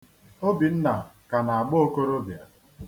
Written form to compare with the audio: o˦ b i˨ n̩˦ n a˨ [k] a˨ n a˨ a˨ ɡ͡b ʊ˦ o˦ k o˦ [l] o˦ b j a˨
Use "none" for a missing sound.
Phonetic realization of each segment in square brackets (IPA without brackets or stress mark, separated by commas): k, ɾ